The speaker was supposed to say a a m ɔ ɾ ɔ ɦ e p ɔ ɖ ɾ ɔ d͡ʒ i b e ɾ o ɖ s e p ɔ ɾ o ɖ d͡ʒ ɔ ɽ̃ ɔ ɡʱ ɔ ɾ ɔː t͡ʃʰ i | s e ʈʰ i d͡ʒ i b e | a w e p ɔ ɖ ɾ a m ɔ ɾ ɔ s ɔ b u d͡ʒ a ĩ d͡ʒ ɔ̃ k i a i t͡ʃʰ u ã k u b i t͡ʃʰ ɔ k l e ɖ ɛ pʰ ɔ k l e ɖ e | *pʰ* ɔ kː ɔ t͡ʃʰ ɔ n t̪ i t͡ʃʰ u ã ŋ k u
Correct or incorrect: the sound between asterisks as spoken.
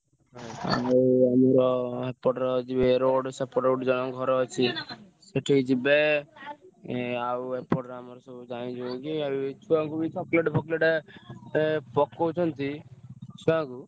incorrect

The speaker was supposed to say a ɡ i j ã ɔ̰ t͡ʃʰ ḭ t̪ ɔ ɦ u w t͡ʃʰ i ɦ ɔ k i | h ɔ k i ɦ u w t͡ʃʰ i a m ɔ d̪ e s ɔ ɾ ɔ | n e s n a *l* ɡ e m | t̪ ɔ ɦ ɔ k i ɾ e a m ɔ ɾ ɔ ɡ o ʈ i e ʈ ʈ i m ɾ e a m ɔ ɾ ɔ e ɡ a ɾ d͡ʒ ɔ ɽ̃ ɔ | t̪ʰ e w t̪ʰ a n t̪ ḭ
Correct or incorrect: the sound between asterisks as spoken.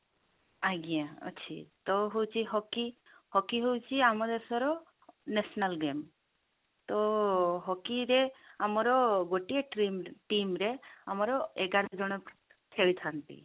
correct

